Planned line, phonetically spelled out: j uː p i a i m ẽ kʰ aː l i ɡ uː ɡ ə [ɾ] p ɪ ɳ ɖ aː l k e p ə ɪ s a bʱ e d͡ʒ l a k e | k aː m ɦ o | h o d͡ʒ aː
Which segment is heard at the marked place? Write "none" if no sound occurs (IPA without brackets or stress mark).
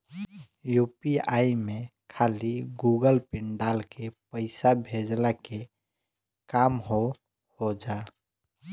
l